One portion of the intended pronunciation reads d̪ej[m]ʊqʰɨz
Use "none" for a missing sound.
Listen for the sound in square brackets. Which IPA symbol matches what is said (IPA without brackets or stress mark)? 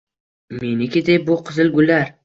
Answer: b